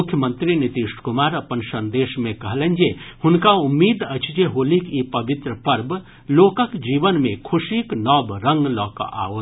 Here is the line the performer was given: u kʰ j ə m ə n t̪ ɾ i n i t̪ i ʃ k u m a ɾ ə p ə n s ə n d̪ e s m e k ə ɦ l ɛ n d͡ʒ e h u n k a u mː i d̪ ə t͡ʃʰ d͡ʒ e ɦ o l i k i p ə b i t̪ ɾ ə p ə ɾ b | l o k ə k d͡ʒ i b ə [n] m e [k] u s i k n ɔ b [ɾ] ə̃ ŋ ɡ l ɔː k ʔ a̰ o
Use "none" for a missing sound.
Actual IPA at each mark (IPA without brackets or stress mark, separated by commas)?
n, kʰ, ɾ